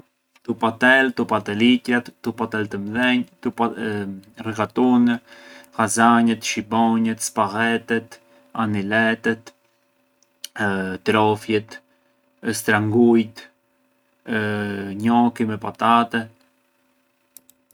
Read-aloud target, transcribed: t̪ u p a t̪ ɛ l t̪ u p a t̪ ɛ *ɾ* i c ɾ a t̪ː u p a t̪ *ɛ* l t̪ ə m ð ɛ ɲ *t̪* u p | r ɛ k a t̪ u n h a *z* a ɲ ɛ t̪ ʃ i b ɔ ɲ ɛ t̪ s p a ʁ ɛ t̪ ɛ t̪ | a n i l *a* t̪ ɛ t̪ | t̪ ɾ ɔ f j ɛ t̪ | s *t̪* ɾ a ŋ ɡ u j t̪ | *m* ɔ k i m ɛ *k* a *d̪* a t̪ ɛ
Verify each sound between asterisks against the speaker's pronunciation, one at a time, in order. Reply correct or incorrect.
incorrect: l, correct, correct, correct, incorrect: ɛ, correct, incorrect: ɲ, incorrect: p, incorrect: t̪

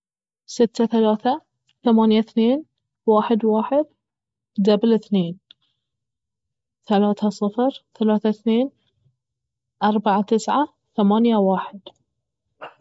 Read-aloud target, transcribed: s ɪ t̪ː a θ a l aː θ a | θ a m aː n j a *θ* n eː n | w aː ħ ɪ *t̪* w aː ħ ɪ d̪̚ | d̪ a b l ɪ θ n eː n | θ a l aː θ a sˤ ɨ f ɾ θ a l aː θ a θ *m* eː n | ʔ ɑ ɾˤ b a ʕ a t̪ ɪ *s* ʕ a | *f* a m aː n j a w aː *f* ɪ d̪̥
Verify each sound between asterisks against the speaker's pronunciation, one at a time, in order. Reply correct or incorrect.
correct, incorrect: d̪, incorrect: n, correct, incorrect: θ, incorrect: ħ

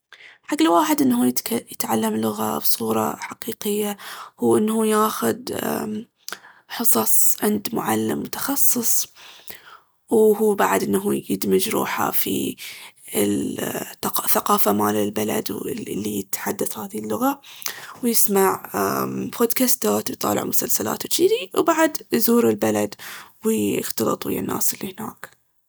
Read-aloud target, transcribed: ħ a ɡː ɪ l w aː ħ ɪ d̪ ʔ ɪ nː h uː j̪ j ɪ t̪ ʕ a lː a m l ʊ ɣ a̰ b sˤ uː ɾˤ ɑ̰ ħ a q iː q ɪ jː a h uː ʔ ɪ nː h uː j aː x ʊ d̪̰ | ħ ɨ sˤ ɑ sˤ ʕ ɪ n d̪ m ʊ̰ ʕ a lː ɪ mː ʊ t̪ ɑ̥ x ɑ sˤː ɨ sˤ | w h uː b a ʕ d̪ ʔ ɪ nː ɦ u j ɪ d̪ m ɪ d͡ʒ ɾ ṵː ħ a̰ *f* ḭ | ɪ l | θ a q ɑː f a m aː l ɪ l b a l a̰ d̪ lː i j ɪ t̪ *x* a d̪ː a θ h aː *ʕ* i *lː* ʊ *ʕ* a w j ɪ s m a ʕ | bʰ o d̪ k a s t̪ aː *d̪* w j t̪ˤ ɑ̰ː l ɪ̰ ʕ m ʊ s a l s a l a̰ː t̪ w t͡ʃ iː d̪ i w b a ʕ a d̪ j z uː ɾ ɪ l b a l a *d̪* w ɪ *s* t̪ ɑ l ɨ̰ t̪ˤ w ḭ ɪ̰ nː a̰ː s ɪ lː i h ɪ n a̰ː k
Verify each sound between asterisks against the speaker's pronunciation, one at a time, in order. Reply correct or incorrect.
correct, incorrect: ħ, incorrect: ð, correct, incorrect: ɣ, incorrect: t̪, correct, incorrect: x

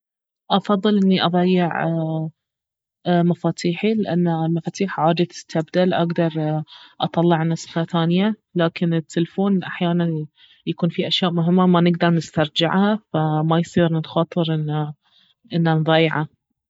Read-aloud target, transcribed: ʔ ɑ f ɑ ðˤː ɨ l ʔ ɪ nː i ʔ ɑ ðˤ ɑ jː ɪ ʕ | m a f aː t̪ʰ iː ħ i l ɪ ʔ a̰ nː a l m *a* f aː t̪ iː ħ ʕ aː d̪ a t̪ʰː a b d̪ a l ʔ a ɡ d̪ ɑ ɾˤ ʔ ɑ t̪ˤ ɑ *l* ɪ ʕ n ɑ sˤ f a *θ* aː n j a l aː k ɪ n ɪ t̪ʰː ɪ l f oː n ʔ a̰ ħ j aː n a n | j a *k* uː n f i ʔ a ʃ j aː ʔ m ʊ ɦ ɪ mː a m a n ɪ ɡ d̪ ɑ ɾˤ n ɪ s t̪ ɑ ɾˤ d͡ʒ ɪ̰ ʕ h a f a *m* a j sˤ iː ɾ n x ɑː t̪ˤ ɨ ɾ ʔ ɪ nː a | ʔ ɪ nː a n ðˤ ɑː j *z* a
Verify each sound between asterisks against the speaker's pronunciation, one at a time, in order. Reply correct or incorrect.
correct, incorrect: lː, correct, correct, correct, incorrect: ʕ

